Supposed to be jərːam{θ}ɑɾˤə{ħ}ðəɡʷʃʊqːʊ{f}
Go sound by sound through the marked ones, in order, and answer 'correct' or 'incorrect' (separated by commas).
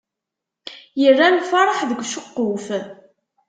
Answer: incorrect, correct, correct